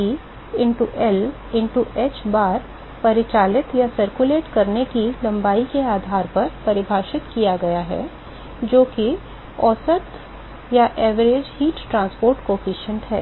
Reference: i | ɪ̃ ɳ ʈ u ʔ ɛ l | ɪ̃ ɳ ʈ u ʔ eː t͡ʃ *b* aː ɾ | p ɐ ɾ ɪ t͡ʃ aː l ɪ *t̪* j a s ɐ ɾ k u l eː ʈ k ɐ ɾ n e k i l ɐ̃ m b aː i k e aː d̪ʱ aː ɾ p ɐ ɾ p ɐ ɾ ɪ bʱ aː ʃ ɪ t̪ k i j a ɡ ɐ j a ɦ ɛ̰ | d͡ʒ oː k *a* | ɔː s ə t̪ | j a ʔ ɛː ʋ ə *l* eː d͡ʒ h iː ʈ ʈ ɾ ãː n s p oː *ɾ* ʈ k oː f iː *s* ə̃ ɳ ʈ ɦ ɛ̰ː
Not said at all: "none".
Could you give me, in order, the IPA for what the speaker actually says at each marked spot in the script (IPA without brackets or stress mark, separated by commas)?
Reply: b, t̪, i, ɾ, ɾ, ʃ